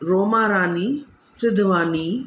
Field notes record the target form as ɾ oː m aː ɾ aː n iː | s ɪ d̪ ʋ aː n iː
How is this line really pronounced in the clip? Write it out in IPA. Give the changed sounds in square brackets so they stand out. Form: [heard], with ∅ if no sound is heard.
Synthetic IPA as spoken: ɾ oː m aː ɾ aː n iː | s ɪ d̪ ʋ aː n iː